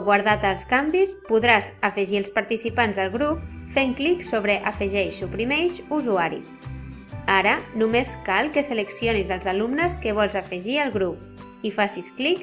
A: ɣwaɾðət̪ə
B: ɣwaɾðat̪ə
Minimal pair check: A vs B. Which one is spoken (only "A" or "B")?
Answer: B